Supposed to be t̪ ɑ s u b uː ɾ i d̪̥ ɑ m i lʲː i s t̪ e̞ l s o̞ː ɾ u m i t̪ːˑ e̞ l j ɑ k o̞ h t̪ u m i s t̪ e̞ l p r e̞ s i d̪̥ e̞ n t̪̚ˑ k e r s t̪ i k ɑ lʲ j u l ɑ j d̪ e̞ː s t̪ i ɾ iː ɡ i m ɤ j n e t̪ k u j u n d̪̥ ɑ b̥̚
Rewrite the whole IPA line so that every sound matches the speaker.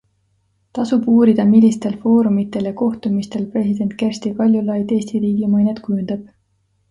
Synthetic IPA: t̪ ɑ s u b uː ɾ i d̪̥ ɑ m i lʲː i s t̪ e̞ l f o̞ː ɾ u m i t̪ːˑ e̞ l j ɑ k o̞ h t̪ u m i s t̪ e̞ l p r e̞ s i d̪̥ e̞ n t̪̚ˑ k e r s t̪ i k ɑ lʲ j u l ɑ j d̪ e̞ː s t̪ i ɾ iː ɡ i m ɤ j n e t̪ k u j u n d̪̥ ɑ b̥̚